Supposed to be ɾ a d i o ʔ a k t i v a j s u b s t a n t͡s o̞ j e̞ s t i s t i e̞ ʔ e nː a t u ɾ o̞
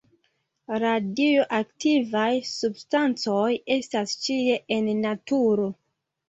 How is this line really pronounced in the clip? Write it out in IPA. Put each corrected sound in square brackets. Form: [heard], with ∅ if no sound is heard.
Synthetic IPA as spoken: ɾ a d i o ʔ a k t i v a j s u b s t a n t͡s o̞ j e̞ s t [a] s [t͡ʃ] i e̞ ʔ e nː a t u ɾ o̞

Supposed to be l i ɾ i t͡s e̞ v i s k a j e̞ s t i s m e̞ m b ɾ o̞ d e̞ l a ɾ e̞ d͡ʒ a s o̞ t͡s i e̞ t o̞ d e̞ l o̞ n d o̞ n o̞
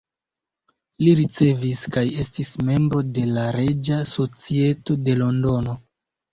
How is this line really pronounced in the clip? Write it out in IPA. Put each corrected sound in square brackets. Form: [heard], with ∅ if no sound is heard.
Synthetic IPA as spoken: l i ɾ i t͡s e̞ v i s k a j e̞ s t i s m e̞ m b ɾ o̞ d e̞ l a ɾ e̞ d͡ʒ a s o̞ t͡s i e̞ t o̞ d e̞ l o̞ n d o̞ n o̞

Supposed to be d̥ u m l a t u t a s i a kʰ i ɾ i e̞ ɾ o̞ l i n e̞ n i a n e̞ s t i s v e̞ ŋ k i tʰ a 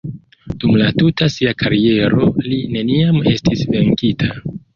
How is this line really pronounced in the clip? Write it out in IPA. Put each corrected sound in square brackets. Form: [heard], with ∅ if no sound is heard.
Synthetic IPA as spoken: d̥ u m l a t u t a s i a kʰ [a] ɾ i e̞ ɾ o̞ l i n e̞ n i a [m] e̞ s t i s v e̞ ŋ k i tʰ a

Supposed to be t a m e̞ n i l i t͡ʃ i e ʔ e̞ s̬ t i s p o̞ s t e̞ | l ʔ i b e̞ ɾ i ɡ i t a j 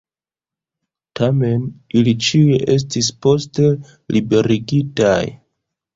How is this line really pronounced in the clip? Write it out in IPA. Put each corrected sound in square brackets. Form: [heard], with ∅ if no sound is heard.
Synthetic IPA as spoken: t a m e̞ n i l i t͡ʃ i e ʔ e̞ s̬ t i s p o̞ s t e̞ | l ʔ i b e̞ ɾ i ɡ i t a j

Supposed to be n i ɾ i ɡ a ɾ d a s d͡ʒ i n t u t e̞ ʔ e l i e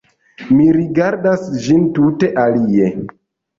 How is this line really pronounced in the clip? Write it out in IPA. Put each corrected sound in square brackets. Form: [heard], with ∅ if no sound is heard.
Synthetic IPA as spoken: [m] i ɾ i ɡ a ɾ d a s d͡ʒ i n t u t e̞ ʔ [a] l i e

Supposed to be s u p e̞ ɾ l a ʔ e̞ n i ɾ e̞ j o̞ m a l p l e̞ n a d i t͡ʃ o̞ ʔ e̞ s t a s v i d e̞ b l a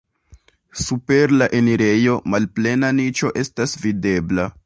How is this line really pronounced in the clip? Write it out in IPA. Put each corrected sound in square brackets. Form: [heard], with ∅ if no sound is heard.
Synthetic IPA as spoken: s u p e̞ ɾ l a ʔ e̞ n i ɾ e̞ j o̞ m a l p l e̞ n a [n] i t͡ʃ o̞ ʔ e̞ s t a s v i d e̞ b l a

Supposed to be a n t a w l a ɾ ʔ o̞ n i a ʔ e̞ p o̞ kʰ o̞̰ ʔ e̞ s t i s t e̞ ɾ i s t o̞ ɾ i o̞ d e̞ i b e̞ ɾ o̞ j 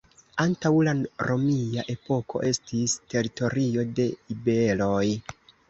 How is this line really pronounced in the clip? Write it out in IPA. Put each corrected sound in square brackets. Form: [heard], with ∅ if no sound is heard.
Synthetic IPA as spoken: a n t a w l a ɾ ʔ o̞ [m] i a ʔ e̞ p o̞ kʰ o̞̰ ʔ e̞ s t i s t e̞ ɾ i [∅] t o̞ ɾ i o̞ d e̞ i b e̞ [l] o̞ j

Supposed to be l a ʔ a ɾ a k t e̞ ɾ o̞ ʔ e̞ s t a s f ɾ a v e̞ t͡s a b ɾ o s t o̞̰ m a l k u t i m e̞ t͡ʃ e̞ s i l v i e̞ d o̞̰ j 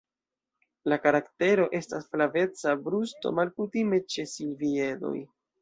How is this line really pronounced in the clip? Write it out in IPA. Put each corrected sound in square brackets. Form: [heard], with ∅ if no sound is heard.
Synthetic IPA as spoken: l a [k] a ɾ a k t e̞ ɾ o̞ ʔ e̞ s t a s f [l] a v e̞ t͡s a b ɾ [u] s t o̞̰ m a l k u t i m e̞ t͡ʃ e̞ s i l v i e̞ d o̞̰ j

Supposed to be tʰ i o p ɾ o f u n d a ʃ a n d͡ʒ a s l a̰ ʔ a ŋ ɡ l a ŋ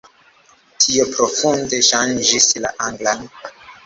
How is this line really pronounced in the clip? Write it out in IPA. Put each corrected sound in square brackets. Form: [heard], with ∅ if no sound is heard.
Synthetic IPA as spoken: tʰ i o p ɾ o f u n d [e] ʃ a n d͡ʒ [i] s l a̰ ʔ a ŋ ɡ l a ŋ

